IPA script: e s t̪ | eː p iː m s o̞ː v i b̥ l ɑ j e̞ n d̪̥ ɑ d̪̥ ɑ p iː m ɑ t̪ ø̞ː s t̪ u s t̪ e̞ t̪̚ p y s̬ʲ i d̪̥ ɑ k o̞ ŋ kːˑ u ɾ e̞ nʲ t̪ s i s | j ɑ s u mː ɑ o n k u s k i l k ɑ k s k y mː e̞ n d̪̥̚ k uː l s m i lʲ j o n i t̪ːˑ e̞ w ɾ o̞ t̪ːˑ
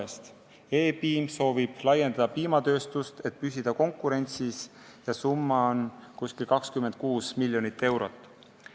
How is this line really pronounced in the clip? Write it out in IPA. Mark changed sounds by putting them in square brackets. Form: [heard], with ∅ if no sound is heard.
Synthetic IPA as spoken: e s t̪ | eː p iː m s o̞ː v i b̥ l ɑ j e̞ n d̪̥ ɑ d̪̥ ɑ p iː m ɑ t̪ ø̞ː s t̪ u s t̪ e̞ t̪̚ p y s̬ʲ i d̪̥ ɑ k o̞ ŋ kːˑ u ɾ e̞ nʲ t̪ s i s | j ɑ s u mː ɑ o n k u s k i l k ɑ k s k y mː e̞ n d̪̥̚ k uː [∅] s m i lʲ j o n i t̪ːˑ e̞ w ɾ o̞ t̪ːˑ